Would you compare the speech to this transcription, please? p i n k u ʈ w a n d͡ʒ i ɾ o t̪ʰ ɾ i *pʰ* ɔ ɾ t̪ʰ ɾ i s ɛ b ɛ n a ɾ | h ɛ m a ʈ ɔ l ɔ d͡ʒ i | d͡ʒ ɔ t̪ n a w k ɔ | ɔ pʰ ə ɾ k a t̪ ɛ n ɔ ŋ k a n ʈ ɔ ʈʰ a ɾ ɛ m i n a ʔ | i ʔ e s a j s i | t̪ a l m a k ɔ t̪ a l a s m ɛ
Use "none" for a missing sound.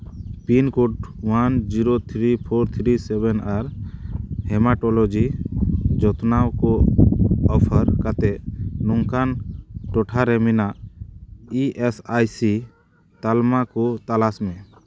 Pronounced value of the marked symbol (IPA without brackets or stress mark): pʰ